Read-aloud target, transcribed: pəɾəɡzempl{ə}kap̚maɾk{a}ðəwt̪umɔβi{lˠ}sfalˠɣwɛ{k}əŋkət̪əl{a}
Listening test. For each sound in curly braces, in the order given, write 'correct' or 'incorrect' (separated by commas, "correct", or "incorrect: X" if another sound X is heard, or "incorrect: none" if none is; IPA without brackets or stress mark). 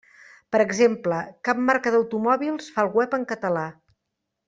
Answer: correct, incorrect: ə, correct, incorrect: p, correct